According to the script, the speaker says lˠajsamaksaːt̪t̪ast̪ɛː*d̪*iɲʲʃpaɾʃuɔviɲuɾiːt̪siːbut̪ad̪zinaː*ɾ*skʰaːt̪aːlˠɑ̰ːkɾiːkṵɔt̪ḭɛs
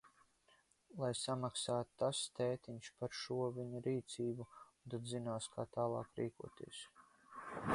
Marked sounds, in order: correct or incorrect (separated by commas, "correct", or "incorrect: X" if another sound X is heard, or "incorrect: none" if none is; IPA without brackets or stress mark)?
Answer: incorrect: t̪, incorrect: none